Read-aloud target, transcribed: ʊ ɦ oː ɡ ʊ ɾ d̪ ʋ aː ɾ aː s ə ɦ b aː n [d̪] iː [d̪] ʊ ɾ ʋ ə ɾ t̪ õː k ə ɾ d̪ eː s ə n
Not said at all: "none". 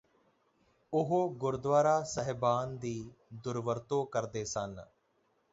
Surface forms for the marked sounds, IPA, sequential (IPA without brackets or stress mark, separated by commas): d̪, d̪